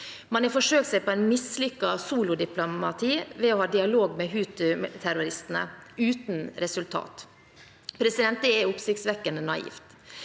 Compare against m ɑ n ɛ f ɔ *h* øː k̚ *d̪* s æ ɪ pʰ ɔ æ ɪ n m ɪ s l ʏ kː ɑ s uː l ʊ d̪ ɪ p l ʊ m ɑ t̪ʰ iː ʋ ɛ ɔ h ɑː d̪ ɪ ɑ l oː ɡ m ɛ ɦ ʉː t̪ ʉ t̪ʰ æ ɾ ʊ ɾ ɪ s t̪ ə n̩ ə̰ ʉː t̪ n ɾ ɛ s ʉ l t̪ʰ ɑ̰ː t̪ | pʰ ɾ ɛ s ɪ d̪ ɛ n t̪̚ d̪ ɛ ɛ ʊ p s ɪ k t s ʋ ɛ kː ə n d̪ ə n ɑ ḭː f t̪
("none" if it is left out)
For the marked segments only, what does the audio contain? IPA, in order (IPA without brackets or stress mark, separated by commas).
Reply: ʂ, t̪